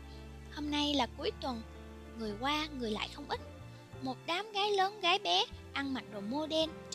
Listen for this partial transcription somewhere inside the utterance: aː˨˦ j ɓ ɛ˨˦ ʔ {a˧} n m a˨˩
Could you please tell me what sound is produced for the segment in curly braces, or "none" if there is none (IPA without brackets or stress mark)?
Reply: a˧